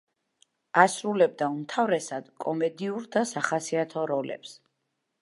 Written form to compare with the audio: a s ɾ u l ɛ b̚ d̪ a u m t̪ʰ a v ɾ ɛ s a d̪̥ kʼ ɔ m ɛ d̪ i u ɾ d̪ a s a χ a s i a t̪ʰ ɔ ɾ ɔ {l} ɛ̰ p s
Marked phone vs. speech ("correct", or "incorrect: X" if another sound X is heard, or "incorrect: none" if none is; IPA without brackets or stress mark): correct